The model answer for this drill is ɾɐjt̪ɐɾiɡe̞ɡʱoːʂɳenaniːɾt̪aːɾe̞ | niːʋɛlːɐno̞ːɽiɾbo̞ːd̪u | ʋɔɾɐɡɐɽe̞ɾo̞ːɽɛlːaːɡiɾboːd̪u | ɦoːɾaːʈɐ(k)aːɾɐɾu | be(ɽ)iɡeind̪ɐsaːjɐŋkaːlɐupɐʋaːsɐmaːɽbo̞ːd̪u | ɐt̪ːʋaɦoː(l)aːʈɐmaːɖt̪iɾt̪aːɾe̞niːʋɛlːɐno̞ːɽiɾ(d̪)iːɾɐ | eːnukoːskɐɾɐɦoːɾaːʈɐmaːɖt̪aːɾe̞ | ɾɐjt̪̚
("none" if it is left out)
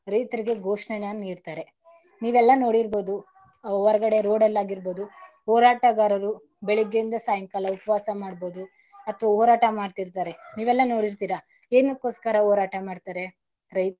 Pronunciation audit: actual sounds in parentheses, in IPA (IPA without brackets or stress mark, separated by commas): ɡ, ɭ, ɾ, t̪